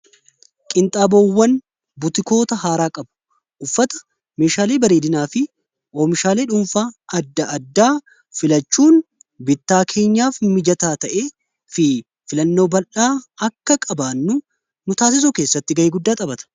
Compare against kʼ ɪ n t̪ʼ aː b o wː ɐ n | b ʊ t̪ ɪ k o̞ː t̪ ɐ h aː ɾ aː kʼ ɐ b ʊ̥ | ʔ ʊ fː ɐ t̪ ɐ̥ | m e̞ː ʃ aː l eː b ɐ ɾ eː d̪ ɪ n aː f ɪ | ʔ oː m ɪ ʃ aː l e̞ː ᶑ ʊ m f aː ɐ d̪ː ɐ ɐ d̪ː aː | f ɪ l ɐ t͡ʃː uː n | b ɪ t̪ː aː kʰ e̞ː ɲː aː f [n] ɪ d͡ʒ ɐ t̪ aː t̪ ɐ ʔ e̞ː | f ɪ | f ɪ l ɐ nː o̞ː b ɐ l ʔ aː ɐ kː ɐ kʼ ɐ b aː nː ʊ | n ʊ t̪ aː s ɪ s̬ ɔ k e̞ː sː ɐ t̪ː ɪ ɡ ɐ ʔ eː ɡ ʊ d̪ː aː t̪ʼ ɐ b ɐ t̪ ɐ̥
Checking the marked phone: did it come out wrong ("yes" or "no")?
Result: yes